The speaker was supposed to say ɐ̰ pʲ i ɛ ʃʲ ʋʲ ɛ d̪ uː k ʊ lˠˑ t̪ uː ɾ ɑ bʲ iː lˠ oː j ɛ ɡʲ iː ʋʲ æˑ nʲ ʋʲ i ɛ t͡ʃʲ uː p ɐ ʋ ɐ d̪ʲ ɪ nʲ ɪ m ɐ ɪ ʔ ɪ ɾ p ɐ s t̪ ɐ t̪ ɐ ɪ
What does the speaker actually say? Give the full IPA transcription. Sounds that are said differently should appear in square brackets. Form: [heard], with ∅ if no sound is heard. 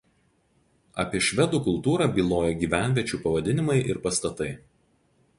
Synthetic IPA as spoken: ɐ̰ pʲ i ɛ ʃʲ ʋʲ ɛ d̪ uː k ʊ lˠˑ t̪ uː ɾ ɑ bʲ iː lˠ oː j ɛ ɡʲ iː ʋʲ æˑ nʲ ʋʲ i ɛ t͡ʃʲ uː p ɐ ʋ ɐ d̪ʲ ɪ nʲ ɪ m ɐ ɪ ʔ ɪ ɾ p ɐ s t̪ ɐ t̪ ɐ ɪ

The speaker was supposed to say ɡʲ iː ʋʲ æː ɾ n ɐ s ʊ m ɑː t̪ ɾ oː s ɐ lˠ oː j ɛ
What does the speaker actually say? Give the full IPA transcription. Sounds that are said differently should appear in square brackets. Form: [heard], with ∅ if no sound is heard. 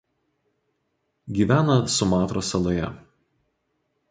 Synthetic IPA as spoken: ɡʲ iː ʋʲ æː [∅] n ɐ s ʊ m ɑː t̪ ɾ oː s ɐ lˠ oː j ɛ

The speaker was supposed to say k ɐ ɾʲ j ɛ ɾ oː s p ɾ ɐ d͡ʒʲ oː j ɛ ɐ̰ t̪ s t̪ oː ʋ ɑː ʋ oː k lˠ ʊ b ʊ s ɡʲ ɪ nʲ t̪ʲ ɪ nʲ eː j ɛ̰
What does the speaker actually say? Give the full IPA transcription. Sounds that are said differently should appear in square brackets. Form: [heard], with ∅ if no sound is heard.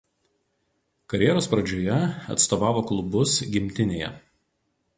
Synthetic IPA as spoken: k ɐ ɾʲ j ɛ ɾ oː s p ɾ ɐ d͡ʒʲ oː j ɛ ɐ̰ t̪ s t̪ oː ʋ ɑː ʋ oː k lˠ ʊ b ʊ s ɡʲ ɪ [mʲ] t̪ʲ ɪ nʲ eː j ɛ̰

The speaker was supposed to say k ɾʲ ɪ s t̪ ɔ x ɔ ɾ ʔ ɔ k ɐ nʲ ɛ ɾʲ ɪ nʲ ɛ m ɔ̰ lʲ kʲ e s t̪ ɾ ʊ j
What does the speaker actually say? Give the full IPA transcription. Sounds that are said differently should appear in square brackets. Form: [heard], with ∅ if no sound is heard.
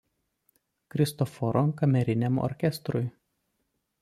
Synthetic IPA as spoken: k ɾʲ ɪ s t̪ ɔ [f] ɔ ɾ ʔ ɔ k ɐ [mʲ] ɛ ɾʲ ɪ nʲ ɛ m ɔ̰ [ɾʲ] kʲ [ɛ] s t̪ ɾ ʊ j

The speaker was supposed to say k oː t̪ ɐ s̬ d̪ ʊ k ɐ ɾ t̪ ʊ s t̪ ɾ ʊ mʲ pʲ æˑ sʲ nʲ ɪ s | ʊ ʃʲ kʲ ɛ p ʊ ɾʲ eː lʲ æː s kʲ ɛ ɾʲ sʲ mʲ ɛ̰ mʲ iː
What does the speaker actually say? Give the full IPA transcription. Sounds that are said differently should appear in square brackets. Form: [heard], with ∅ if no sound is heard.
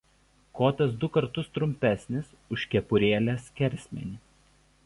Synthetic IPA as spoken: k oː t̪ ɐ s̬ d̪ ʊ k ɐ ɾ t̪ ʊ s t̪ ɾ ʊ mʲ pʲ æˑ sʲ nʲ ɪ s | ʊ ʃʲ kʲ ɛ p ʊ ɾʲ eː lʲ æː s kʲ ɛ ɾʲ sʲ mʲ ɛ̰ [nʲ] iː

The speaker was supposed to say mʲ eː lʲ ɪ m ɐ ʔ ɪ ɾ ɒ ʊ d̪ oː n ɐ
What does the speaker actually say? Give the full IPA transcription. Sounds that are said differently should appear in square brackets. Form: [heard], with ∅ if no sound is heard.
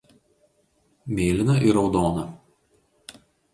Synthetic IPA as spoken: mʲ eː lʲ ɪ [n] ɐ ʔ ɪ ɾ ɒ ʊ d̪ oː n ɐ

